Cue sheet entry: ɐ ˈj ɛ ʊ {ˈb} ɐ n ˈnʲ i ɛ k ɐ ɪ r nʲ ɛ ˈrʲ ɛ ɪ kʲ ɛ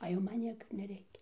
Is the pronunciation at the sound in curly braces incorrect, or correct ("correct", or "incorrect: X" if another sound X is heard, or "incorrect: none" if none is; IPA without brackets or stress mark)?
incorrect: m